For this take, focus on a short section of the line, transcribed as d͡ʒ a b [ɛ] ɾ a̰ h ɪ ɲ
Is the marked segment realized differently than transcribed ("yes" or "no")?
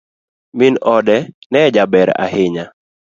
no